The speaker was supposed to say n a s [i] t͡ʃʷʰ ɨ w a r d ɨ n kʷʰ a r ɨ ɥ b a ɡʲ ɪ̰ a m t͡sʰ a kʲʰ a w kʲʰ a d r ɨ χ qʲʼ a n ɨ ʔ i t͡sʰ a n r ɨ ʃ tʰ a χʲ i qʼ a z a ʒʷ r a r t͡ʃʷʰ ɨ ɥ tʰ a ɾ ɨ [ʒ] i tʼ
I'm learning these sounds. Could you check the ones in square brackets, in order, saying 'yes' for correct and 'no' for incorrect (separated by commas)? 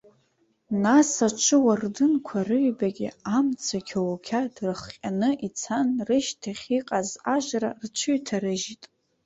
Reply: no, yes